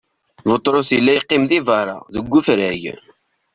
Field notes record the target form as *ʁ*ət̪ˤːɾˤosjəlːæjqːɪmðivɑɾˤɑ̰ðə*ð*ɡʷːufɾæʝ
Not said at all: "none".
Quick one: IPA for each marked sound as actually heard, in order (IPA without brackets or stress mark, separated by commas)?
v, none